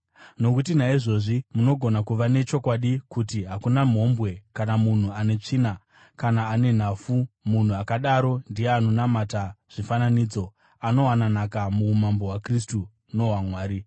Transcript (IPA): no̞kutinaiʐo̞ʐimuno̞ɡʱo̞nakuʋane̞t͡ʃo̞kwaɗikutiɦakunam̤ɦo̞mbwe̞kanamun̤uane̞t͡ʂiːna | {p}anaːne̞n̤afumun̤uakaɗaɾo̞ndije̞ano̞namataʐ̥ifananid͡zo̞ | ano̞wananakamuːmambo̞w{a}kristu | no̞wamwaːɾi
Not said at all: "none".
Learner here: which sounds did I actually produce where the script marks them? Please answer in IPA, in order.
k, a

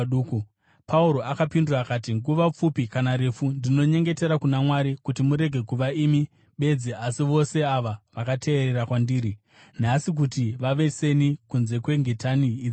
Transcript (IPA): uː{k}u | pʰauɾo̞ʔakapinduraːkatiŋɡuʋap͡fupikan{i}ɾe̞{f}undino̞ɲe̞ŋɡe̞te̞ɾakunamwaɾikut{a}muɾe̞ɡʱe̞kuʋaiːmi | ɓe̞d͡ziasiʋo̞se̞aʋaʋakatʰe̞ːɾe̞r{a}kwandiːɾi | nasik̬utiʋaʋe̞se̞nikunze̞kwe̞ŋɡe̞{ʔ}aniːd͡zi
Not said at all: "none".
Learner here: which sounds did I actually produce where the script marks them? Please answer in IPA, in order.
k, a, f, i, a, t

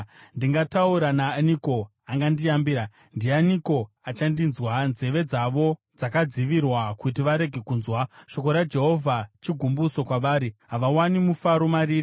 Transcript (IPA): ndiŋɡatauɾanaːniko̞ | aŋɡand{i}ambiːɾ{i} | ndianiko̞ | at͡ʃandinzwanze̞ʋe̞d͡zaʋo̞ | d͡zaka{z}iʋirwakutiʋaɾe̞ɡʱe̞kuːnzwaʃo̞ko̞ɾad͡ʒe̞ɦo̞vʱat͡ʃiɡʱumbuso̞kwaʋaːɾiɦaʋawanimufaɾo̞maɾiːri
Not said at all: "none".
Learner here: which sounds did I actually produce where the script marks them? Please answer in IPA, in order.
i, a, d͡z

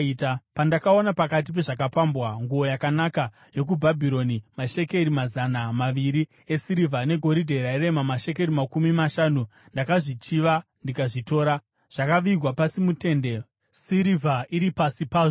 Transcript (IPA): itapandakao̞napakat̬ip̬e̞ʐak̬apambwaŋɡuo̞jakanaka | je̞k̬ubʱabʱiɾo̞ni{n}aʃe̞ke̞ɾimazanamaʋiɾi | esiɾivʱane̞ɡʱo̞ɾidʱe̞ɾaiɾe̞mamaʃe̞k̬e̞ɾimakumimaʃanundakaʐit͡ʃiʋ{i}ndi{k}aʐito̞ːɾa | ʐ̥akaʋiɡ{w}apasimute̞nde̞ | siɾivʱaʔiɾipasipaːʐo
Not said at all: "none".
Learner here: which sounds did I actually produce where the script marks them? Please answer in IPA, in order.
m, a, k, w

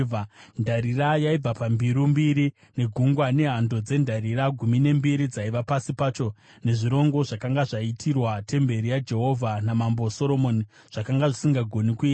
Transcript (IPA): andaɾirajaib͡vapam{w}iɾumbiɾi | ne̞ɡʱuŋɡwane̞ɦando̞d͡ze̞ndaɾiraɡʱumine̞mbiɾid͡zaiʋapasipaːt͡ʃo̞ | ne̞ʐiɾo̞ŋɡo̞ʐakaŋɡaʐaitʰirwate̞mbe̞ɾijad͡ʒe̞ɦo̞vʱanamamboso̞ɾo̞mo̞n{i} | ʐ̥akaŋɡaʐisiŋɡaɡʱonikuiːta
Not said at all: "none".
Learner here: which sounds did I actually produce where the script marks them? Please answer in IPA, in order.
b, i

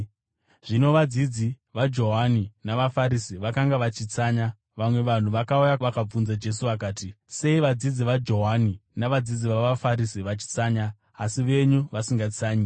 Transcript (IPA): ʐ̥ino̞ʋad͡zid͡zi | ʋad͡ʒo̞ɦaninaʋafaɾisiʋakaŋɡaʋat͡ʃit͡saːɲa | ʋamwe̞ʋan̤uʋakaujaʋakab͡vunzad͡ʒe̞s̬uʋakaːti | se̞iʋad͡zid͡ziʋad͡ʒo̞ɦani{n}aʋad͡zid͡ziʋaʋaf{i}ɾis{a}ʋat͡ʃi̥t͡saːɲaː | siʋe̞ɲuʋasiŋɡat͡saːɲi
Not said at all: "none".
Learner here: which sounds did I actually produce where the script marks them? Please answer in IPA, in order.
n, a, i

